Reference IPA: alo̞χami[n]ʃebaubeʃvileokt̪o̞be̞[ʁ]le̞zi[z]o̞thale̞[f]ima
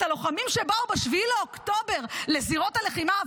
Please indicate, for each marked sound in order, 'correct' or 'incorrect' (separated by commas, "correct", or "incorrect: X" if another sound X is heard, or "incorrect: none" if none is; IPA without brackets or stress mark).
incorrect: m, correct, incorrect: ʁ, incorrect: χ